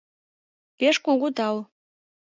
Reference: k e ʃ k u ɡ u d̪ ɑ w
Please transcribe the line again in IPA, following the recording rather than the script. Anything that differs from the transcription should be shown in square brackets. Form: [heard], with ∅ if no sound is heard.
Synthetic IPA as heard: [p] e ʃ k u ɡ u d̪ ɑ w